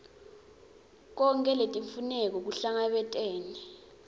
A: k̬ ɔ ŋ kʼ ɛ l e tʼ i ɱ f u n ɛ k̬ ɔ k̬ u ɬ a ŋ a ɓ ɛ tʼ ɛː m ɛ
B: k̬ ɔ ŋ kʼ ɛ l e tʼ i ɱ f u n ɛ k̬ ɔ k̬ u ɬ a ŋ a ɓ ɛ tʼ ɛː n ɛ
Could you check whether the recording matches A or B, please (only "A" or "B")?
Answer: B